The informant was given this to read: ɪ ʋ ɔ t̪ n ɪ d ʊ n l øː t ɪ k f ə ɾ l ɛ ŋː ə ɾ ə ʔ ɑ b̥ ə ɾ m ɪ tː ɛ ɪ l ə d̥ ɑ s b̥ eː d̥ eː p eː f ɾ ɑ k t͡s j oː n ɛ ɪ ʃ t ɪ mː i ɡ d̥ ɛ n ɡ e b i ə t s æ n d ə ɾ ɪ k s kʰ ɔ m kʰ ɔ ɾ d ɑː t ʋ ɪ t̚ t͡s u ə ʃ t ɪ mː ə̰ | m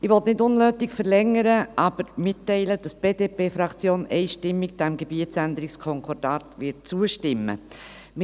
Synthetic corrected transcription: ɪ ʋ ɔ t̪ n ɪ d ʊ n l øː t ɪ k f ə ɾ l ɛ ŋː ə ɾ ə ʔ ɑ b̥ ə ɾ m ɪ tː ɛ ɪ l ə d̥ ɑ s b̥ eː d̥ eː p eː f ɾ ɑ k t͡s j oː n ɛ ɪ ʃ t ɪ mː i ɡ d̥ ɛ m ɡ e b i ə t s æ n d ə ɾ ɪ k s kʰ ɔ ŋ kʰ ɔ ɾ d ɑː t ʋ ɪ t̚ t͡s u ə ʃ t ɪ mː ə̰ | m